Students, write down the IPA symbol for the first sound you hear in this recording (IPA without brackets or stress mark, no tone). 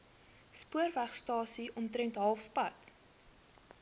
s